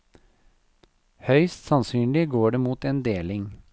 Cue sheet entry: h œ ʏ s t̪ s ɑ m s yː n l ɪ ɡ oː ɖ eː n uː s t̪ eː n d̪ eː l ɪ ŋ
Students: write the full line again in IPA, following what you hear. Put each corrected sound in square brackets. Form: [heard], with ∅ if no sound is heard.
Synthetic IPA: h œ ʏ s t̪ s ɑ [n] s yː n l ɪ ɡ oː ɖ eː [m] uː [∅] t̪ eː n d̪ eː l ɪ ŋ